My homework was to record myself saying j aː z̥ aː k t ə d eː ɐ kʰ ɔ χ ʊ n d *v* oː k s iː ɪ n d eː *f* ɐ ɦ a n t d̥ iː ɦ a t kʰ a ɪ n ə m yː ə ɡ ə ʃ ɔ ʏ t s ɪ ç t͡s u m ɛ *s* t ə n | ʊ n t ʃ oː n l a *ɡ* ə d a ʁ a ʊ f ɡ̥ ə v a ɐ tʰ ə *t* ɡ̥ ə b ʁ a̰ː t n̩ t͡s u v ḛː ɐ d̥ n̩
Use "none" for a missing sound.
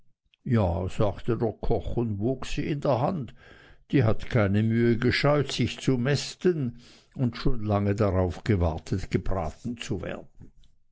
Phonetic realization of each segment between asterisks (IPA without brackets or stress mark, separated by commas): v, none, s, ŋ, t